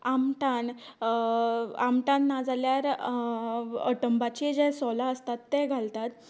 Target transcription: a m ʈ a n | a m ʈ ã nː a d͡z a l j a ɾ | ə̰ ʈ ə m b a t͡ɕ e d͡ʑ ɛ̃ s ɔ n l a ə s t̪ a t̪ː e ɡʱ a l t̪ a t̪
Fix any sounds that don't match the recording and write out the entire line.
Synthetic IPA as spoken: a m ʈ a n | a m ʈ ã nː a d͡z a l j a ɾ | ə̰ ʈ ə m b a t͡ɕ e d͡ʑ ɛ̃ s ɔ l a ə s t̪ a t̪ː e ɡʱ a l t̪ a t̪